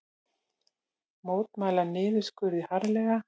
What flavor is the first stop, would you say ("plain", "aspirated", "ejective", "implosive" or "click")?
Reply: plain